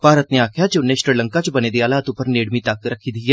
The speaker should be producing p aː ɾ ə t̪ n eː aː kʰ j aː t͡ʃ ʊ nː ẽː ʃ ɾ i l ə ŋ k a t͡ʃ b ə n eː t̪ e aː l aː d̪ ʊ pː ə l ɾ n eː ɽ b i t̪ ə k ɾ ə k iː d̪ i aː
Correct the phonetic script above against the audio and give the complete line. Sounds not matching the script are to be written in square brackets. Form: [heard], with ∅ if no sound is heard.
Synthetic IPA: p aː ɾ ə t̪ n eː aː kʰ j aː t͡ʃ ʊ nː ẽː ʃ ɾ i l ə ŋ k a t͡ʃ b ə n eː [d̪] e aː l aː [t̪] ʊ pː ə [∅] ɾ n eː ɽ [m] i t̪ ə k ɾ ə [kʰ] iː d̪ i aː